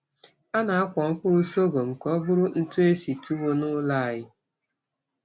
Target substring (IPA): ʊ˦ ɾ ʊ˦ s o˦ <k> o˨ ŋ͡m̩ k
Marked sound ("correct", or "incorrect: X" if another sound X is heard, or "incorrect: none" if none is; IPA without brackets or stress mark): incorrect: ɡ